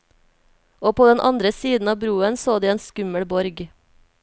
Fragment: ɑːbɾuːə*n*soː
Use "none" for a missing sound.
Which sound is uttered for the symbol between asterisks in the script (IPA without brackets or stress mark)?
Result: n